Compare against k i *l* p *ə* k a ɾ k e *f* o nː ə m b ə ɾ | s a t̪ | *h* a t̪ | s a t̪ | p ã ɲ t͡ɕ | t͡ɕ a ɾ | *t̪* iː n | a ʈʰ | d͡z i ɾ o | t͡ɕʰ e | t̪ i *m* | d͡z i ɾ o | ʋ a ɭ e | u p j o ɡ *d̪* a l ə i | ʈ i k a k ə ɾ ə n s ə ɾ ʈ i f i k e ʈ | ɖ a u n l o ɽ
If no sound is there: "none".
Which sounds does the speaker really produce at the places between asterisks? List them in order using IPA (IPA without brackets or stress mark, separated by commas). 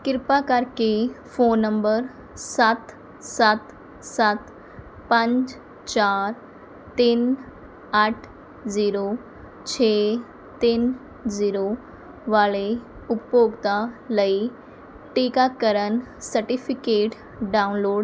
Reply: ɾ, a, f, s, t̪, n, t̪